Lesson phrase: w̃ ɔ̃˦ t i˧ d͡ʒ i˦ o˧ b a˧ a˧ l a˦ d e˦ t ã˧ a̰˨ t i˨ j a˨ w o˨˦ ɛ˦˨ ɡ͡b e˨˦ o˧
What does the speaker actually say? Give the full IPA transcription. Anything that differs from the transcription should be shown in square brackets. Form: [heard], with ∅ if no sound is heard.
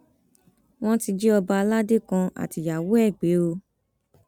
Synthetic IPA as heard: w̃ ɔ̃˦ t i˧ d͡ʒ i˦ [ɔ˧] b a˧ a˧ l a˦ d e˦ [k] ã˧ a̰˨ t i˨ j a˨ w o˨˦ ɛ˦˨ ɡ͡b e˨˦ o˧